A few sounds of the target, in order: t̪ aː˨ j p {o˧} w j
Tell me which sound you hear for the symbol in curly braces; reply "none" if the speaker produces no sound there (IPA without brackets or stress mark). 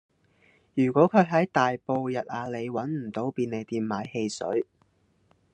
o˧